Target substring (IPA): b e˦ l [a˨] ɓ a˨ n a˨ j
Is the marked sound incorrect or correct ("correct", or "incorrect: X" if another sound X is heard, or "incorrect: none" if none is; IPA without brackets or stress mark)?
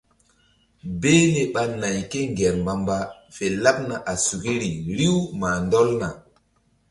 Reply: incorrect: e˨